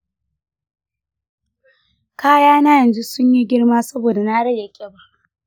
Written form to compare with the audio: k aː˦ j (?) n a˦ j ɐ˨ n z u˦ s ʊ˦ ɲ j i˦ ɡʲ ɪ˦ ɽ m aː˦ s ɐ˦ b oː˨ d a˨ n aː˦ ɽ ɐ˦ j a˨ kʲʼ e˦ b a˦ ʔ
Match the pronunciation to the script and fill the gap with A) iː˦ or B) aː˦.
B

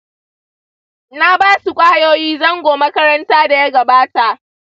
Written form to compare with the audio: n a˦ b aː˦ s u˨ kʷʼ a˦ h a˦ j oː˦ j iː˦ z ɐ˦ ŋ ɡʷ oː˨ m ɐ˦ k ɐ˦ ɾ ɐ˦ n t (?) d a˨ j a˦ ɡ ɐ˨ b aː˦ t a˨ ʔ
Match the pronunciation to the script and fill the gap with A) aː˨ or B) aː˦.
B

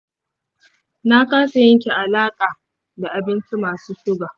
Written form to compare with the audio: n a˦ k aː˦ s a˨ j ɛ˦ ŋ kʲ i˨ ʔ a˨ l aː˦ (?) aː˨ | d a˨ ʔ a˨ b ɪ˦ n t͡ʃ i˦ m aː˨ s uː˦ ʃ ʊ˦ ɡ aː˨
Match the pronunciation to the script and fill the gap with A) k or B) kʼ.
B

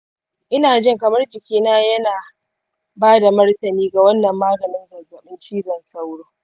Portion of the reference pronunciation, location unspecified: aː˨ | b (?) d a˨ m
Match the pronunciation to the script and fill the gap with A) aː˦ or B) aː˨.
A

